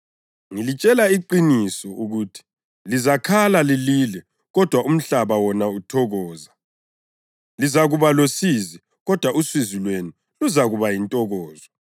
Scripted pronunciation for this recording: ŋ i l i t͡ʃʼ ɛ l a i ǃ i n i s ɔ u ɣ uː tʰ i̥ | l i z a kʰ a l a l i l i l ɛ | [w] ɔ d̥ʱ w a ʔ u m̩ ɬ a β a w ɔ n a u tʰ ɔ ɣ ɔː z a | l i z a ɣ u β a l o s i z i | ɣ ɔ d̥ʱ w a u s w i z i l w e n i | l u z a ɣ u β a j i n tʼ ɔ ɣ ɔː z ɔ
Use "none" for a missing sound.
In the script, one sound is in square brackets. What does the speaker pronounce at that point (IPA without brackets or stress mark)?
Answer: ɣ